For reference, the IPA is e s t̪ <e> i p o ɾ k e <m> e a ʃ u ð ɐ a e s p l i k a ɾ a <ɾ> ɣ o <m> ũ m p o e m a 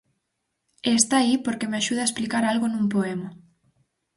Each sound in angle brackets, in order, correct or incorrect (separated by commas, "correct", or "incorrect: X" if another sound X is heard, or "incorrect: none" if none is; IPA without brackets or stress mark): incorrect: a, correct, incorrect: l, incorrect: n